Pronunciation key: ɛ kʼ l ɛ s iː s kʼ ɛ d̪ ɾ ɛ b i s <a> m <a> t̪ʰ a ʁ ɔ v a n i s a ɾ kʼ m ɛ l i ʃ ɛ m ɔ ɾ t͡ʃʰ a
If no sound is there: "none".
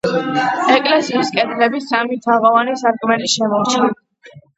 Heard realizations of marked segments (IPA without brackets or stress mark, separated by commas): a, i